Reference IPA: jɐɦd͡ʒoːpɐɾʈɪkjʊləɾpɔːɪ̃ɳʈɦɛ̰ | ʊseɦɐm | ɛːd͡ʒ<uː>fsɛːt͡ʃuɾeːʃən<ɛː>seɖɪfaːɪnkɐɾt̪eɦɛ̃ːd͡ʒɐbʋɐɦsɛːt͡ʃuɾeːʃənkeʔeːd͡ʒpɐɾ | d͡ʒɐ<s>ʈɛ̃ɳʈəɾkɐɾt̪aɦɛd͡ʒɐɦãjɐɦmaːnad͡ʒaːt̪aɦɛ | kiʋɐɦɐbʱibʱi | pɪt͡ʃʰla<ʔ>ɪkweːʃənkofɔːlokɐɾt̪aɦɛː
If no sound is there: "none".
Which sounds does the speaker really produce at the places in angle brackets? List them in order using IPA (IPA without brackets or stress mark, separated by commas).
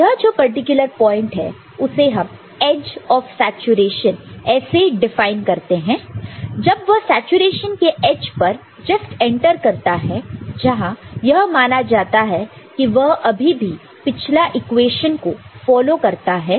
ɔː, ɛː, s, ʔ